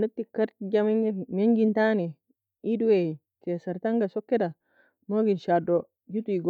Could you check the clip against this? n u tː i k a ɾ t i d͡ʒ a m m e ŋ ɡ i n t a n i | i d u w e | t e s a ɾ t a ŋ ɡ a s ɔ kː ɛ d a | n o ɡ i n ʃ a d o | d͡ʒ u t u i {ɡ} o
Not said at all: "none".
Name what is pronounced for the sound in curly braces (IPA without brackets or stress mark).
ɡ